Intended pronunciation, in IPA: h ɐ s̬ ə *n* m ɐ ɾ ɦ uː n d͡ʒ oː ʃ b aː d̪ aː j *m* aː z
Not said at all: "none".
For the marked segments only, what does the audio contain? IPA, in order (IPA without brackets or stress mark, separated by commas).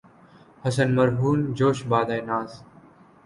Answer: n, n